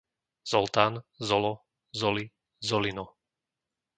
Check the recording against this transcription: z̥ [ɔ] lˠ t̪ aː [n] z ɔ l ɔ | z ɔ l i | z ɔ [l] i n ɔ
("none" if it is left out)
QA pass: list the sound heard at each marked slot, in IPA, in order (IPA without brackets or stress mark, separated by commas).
ɔ, n, l